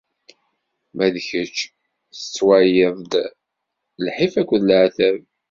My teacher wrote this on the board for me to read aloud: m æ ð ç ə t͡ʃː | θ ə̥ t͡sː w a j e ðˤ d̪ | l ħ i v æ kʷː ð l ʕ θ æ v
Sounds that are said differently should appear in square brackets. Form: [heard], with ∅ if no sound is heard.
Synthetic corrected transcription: m æ ð ç ə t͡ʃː | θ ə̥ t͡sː w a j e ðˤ d̪ | l ħ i [f] æ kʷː ð l ʕ θ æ v

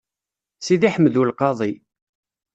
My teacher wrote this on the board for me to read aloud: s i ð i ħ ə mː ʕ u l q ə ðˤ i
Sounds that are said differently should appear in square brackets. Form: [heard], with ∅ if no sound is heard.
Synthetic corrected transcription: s i ð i ħ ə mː [ð] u l q [ɑ] ðˤ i

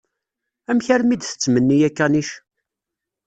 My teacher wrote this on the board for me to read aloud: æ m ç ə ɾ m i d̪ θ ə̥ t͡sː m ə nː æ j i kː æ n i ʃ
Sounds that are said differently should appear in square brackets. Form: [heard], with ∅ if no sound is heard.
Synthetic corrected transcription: æ m ç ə ɾ m i d̪ θ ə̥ t͡sː m ə nː [i] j [æ] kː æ n i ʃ

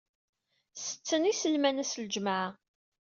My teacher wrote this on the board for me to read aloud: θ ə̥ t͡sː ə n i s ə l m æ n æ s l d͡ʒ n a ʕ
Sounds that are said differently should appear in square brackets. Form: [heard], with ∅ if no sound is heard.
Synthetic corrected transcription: [s] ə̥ t͡sː ə n i s ə l m æ n æ s l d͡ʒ [m] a ʕ

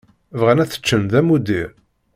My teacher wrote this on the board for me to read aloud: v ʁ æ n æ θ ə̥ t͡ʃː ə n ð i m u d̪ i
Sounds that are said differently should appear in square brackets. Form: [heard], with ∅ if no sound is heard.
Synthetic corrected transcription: v ʁ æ n æ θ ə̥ t͡ʃː ə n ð [æ] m u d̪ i

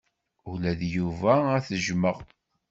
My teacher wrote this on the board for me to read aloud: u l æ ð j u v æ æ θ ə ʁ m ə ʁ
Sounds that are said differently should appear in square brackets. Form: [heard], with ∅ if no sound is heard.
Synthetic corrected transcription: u l æ ð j u v æ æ θ ə [ʒ] m ə ʁ

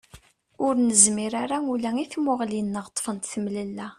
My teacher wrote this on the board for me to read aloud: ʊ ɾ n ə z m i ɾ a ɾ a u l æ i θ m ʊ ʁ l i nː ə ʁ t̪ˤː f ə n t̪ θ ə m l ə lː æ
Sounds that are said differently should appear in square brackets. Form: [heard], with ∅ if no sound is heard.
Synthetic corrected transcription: ʊ ɾ n ə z m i ɾ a ɾ a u l æ i θ m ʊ ʁ l i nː ə ʁ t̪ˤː f ə n t̪ θ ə m l ə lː æ

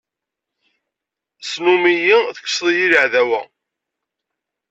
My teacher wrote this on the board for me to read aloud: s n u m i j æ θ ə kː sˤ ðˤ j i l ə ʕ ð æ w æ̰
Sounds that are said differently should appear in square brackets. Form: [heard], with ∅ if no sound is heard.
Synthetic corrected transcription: s n u m i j [i] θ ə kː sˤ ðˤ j i l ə ʕ ð æ w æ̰

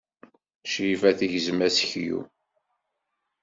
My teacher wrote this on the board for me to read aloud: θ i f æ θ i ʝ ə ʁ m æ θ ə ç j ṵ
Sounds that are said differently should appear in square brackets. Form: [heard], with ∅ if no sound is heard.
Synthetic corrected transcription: [ʃ] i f æ θ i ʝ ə [z] m æ [s] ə ç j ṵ

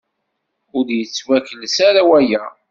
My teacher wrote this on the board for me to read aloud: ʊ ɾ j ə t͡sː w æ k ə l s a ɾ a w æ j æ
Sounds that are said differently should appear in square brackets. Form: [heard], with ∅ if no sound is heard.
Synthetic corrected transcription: ʊ ɾ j ə t͡sː w æ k ə l s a ɾ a w æ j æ

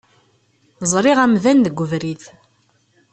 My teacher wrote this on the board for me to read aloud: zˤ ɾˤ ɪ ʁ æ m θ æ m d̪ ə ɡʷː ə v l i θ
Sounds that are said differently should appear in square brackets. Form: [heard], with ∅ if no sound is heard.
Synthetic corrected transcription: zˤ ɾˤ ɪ ʁ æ m [ð] æ [n] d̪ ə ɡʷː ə v [ɾ] i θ

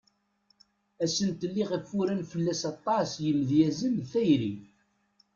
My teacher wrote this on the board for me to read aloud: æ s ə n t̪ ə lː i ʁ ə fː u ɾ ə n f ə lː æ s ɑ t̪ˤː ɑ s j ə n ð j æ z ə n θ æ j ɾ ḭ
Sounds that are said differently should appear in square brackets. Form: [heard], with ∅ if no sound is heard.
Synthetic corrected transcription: æ s ə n t̪ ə lː i ʁ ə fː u ɾ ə n f ə lː æ s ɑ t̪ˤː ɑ s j ə [m] ð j æ z ə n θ æ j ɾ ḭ

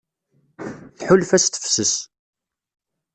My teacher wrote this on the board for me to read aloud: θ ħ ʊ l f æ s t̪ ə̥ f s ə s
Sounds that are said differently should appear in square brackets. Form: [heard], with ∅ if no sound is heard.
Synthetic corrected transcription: θ ħ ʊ l f æ s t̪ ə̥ f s ə s

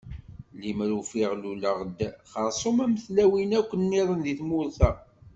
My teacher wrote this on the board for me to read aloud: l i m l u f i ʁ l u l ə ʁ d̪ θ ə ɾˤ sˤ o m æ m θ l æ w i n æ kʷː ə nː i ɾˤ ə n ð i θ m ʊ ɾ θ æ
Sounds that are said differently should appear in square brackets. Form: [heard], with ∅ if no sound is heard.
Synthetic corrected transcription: l i m [ɾ] u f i ʁ l u l ə ʁ d̪ [χ] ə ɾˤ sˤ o m æ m θ l æ w i n æ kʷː ə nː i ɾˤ ə n ð i θ m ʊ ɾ θ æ

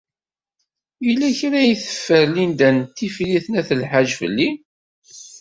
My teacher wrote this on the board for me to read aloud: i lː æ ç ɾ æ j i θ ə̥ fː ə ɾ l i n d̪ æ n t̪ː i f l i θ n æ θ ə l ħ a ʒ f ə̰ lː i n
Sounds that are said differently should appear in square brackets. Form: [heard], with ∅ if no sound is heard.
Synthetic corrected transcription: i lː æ ç ɾ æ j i θ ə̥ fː ə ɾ l i n d̪ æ n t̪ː i f l i θ n æ θ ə l ħ a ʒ f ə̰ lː i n

